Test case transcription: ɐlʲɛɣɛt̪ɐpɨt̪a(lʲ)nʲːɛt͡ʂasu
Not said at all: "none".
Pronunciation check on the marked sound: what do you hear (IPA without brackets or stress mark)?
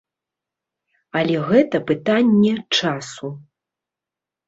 none